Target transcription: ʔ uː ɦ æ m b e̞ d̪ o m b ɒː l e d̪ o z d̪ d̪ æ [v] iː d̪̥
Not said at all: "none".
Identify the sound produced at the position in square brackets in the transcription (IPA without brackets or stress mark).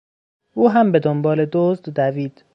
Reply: v